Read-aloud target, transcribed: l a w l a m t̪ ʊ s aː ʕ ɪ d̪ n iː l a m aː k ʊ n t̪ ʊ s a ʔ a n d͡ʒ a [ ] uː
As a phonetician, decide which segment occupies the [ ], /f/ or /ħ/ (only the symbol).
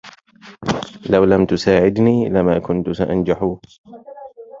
ħ